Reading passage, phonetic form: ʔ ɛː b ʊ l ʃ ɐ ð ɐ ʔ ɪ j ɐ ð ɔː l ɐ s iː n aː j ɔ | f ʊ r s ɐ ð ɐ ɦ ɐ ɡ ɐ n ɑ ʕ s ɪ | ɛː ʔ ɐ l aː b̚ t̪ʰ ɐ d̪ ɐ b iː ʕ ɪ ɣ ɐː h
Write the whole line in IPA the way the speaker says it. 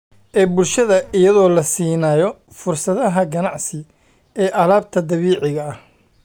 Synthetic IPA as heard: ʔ ɛː b ʊ l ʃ ɐ ð ɐ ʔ ɪ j ɐ ð ɔː l ɐ s iː n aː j ɔ | f ʊ r s ɐ ð ɐ ɦ ɐ ɡ ɐ n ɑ ʕ s ɪ | ɛː ʔ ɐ l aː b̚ t̪ʰ ɐ d̪ ɐ β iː ʕ ɪ ɣ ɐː h